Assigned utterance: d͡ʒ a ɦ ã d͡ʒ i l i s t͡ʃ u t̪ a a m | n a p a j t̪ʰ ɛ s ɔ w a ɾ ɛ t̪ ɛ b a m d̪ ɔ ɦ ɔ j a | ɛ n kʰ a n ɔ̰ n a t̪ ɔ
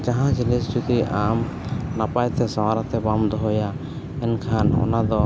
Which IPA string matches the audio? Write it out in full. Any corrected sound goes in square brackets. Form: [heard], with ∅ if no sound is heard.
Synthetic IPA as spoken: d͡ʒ a ɦ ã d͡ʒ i l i s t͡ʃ u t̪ [i] a m | n a p a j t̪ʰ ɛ s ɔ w a ɾ [a] t̪ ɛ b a m d̪ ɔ ɦ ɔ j a | ɛ n kʰ a n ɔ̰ n a [d̪] ɔ